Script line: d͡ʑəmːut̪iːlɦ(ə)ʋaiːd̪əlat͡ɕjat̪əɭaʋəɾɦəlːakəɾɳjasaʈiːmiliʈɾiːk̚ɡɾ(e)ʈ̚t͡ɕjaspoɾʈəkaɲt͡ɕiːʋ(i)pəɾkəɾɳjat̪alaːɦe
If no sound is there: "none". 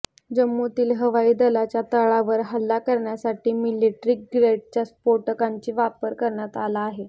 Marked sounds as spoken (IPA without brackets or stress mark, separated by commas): ə, e, a